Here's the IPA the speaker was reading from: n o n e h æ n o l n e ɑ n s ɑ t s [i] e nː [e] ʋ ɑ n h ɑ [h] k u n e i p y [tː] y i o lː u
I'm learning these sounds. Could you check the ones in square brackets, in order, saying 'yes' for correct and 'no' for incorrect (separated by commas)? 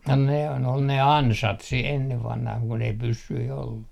yes, yes, yes, no